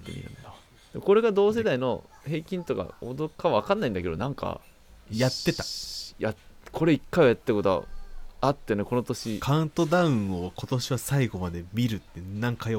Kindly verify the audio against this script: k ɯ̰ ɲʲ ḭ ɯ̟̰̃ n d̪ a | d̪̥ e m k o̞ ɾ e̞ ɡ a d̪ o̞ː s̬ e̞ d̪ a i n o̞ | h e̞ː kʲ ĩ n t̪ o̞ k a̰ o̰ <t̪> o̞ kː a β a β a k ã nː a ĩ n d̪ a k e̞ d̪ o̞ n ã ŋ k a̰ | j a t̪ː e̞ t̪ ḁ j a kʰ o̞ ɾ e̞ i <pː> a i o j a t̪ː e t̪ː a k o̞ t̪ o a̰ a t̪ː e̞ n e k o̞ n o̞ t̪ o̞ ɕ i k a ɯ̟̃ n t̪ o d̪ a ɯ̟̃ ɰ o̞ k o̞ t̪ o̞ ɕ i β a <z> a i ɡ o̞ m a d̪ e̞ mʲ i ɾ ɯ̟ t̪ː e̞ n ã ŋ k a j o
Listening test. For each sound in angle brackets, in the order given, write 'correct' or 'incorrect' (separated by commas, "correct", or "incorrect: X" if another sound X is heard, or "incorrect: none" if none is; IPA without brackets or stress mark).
incorrect: d̪, incorrect: kː, incorrect: s